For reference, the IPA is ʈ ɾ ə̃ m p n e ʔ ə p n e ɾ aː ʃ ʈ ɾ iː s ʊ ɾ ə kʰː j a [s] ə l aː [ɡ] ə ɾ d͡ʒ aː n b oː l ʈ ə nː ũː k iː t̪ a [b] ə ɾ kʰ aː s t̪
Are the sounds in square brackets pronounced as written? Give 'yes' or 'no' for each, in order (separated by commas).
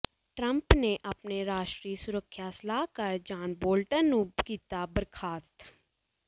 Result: yes, no, yes